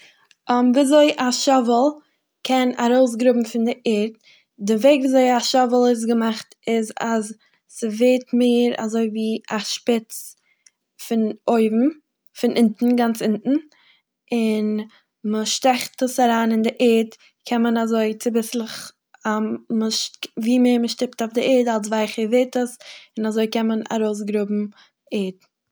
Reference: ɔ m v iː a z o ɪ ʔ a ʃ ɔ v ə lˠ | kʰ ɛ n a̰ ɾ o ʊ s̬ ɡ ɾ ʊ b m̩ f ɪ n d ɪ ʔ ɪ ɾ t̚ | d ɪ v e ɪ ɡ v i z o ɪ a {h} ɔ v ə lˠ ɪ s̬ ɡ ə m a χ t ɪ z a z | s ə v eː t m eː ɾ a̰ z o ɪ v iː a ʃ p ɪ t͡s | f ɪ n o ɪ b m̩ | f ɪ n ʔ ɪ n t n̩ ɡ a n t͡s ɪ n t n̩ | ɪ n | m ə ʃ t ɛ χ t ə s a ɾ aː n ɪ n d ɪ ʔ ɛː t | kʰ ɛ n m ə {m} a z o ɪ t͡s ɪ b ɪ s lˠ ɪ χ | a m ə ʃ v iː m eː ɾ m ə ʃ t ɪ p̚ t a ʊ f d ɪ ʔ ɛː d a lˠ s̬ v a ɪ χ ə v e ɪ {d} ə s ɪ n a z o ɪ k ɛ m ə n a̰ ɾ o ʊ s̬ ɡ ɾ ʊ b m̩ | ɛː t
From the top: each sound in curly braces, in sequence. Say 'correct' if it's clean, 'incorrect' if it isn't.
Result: incorrect: ʃ, incorrect: n, incorrect: t

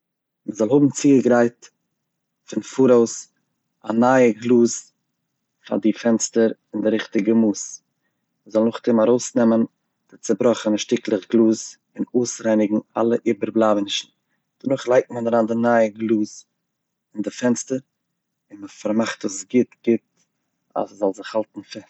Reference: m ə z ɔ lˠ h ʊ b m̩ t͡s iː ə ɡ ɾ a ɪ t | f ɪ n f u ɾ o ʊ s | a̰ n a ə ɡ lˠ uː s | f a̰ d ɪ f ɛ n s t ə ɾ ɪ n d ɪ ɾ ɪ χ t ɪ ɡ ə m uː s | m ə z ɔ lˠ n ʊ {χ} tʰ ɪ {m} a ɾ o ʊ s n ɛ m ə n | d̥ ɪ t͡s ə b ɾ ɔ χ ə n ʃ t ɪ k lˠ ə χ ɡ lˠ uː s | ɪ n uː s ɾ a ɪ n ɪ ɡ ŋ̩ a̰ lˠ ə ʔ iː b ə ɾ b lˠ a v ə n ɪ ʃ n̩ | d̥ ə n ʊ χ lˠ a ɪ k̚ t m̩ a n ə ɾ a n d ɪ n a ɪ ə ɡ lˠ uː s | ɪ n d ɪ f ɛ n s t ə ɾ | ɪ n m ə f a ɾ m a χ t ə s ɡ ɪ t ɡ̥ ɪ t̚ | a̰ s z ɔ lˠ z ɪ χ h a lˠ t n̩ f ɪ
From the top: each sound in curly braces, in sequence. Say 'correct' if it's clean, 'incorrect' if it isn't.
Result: correct, correct

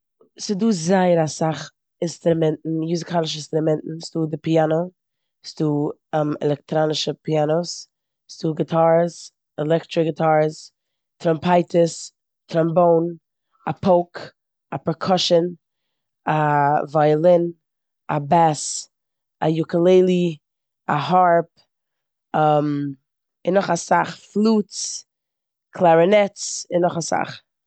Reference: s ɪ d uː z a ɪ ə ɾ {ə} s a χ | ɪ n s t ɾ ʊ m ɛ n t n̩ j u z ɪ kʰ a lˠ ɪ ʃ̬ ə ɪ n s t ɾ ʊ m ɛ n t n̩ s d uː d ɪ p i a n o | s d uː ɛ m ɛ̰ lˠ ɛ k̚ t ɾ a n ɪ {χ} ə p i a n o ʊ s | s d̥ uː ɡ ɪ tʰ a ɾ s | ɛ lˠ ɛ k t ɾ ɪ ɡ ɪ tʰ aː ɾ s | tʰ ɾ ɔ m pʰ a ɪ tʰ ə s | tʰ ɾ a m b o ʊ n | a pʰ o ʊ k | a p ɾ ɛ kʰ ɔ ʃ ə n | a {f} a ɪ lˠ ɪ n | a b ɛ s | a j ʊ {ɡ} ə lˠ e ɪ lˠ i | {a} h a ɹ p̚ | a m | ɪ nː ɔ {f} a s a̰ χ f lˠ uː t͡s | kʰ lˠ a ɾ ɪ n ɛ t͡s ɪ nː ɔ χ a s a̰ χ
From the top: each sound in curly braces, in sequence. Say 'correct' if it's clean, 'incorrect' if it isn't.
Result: incorrect: a, incorrect: ʃ, incorrect: v, incorrect: k, correct, incorrect: χ

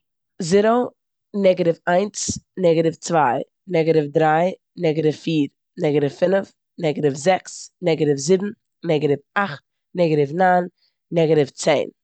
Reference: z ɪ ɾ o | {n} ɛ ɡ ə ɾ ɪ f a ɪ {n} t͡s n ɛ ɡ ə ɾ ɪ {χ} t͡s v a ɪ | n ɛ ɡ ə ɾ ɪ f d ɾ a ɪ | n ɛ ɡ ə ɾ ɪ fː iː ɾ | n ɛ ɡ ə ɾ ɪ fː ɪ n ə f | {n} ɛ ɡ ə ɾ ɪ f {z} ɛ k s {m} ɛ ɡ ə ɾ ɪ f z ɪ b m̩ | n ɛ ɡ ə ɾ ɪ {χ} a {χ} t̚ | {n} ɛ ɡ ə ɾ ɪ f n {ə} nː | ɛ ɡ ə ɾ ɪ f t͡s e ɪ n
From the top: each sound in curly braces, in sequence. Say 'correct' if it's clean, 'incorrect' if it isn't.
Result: correct, correct, incorrect: f, correct, correct, incorrect: n, incorrect: f, correct, correct, incorrect: a

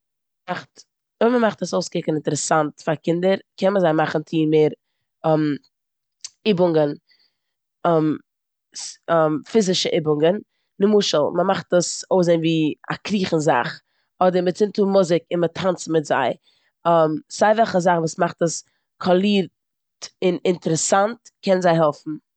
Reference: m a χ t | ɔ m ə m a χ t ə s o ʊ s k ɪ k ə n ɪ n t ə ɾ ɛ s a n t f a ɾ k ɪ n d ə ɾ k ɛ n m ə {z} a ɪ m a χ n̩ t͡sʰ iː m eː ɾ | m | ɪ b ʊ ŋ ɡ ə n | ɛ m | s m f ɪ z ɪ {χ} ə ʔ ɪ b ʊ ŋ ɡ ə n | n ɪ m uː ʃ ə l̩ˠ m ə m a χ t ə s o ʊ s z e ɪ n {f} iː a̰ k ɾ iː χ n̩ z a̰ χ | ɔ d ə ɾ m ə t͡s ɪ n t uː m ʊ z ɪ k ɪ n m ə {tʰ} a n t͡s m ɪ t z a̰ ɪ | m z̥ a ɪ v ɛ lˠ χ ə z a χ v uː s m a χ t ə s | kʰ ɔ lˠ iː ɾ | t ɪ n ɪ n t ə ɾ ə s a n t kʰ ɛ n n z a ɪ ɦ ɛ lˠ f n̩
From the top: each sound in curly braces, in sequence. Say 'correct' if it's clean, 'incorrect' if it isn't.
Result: correct, incorrect: ʃ, incorrect: v, correct

